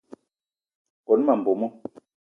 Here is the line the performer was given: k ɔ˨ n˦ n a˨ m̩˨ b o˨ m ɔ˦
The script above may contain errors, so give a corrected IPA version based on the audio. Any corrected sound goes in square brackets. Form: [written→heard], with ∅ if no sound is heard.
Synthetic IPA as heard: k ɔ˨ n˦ [n→m] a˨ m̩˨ b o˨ m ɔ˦